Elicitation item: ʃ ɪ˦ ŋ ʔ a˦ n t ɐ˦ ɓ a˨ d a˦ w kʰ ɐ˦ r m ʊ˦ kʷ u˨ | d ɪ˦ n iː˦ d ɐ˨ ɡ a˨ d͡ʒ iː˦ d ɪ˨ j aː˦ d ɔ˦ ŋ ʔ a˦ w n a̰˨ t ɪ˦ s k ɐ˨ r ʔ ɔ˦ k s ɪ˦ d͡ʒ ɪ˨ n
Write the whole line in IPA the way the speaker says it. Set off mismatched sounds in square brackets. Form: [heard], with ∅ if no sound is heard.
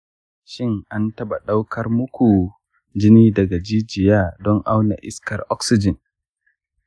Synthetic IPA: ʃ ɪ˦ ŋ ʔ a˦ n t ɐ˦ ɓ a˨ [ɗ] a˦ w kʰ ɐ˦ r m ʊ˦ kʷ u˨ | [d͡ʒ] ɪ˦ n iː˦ d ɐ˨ ɡ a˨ d͡ʒ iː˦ [d͡ʒ] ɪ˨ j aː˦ d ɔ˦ ŋ ʔ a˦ w n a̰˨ [ʔ] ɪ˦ s k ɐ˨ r ʔ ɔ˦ k s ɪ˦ d͡ʒ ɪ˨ n